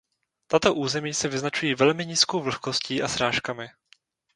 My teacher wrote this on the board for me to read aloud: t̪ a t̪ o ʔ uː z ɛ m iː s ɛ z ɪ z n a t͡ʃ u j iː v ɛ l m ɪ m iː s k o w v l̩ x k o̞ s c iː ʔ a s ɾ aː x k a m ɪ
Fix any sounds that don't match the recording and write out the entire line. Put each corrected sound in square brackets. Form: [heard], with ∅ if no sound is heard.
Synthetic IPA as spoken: t̪ a t̪ o ʔ uː z ɛ m iː s ɛ [v] ɪ z n a t͡ʃ u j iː v ɛ l m ɪ [ɲ] iː s k o w v l̩ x k o̞ s c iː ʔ a s ɾ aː [ʃ] k a m ɪ